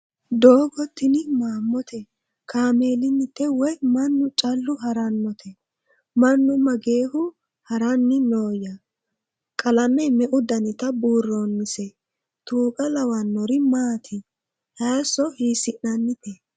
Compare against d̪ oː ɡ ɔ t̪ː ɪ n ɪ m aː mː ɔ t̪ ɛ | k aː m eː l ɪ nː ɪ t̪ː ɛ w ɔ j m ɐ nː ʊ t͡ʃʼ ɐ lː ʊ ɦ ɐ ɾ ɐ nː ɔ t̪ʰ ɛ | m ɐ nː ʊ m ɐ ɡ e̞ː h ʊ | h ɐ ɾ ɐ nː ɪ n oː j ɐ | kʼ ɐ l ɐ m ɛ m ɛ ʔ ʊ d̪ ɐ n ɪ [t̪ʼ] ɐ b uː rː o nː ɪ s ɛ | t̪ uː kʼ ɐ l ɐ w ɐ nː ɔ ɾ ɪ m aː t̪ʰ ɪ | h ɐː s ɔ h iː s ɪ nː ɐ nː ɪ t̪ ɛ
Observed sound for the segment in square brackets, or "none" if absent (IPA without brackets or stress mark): t̪